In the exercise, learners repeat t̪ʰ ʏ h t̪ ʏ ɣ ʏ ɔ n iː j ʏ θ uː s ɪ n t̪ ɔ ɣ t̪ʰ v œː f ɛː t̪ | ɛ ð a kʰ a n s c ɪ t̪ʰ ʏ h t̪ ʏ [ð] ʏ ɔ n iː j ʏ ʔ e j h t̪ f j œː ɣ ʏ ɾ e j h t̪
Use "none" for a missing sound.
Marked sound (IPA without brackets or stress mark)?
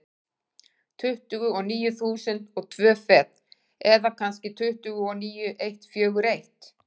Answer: ɣ